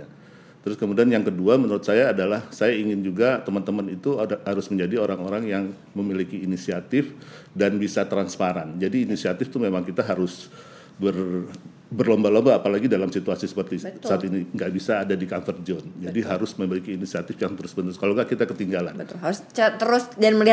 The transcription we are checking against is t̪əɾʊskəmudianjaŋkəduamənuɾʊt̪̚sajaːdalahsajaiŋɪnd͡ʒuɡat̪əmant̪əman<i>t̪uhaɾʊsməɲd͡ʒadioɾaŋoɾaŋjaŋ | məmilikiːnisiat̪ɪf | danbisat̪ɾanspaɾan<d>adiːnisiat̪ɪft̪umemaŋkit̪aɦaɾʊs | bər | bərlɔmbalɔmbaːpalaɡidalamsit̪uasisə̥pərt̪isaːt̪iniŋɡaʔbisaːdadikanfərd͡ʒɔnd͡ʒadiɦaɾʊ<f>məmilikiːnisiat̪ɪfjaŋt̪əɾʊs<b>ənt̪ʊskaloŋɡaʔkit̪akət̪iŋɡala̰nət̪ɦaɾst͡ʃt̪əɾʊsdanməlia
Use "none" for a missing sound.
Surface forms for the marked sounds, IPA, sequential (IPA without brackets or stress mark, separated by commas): i, d͡ʒ, s, b